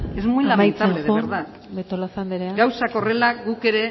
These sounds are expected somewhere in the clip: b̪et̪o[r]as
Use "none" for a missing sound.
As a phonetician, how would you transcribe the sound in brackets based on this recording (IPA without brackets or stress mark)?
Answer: l